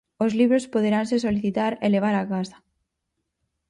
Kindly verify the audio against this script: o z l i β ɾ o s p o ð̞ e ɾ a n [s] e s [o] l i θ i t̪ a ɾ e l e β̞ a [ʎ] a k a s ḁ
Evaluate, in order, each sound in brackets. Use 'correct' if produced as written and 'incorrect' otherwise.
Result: correct, correct, incorrect

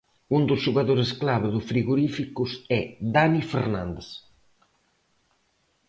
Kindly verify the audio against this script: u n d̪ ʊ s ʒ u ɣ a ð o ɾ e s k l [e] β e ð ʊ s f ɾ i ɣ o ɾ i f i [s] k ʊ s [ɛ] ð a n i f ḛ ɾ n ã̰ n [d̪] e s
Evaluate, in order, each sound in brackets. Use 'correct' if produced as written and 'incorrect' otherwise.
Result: incorrect, incorrect, correct, correct

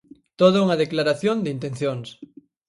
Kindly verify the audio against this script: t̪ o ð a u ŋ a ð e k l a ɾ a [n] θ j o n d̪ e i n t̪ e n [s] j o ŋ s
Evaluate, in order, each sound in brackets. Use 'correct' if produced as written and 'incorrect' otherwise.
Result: incorrect, incorrect

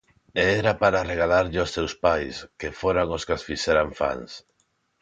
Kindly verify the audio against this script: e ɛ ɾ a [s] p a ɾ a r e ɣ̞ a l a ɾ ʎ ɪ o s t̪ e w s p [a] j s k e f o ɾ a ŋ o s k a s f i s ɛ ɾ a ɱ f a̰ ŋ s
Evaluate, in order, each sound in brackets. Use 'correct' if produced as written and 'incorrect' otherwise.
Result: incorrect, correct

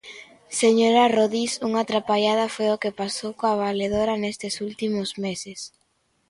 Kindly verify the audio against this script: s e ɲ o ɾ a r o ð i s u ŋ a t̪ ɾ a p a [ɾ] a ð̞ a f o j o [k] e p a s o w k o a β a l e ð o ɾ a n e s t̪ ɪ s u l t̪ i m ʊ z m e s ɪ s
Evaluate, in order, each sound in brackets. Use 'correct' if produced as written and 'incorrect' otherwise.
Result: incorrect, correct

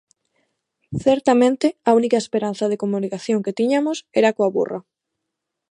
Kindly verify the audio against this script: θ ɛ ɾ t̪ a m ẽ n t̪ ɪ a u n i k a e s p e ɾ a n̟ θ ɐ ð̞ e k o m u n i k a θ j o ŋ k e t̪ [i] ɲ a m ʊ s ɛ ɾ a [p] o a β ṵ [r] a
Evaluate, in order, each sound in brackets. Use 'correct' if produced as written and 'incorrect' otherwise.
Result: correct, incorrect, correct

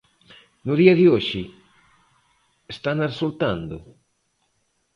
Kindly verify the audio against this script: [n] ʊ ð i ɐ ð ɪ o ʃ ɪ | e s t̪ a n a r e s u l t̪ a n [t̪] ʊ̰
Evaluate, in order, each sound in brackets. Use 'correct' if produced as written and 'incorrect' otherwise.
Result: correct, incorrect

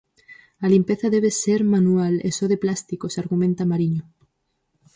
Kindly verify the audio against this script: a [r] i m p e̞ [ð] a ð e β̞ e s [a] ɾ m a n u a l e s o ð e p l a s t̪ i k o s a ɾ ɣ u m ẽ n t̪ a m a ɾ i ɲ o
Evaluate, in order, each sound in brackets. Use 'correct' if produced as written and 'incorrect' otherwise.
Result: incorrect, incorrect, incorrect

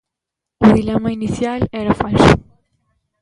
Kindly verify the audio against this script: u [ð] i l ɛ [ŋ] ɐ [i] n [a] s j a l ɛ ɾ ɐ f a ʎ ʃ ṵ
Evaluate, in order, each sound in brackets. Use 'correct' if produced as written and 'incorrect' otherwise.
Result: correct, incorrect, correct, incorrect

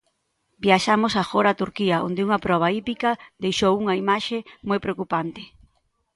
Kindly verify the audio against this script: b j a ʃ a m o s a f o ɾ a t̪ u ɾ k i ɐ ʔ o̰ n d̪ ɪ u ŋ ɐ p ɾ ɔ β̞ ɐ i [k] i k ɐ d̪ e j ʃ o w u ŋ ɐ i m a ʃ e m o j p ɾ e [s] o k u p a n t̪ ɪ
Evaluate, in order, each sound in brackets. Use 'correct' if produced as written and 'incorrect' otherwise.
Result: incorrect, incorrect

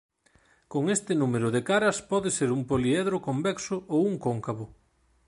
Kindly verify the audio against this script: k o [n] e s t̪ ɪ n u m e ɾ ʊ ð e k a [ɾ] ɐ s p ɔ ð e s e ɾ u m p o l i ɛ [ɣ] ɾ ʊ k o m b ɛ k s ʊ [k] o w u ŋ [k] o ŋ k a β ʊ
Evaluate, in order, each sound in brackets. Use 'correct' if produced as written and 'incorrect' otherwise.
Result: incorrect, correct, incorrect, incorrect, correct

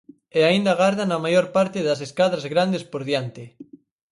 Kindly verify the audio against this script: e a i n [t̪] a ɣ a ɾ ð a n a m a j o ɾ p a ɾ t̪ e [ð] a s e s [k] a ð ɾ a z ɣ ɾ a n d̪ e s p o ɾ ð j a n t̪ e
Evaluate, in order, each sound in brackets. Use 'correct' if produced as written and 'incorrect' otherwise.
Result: incorrect, correct, correct

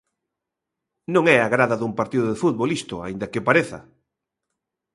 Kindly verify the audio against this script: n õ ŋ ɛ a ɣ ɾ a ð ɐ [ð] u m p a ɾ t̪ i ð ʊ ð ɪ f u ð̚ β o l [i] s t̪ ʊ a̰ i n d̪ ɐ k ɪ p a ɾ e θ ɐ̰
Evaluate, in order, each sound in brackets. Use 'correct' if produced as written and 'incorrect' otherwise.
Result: correct, correct

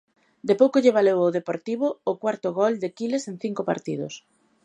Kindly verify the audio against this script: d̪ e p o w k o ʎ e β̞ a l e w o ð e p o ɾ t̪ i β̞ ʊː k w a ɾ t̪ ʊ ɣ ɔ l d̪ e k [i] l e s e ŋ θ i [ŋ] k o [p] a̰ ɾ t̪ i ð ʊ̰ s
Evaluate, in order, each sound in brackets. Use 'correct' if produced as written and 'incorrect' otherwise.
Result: correct, correct, correct

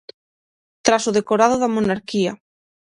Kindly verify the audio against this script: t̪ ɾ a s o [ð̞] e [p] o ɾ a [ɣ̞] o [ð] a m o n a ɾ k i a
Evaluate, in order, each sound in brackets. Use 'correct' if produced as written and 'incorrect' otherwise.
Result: correct, incorrect, incorrect, correct

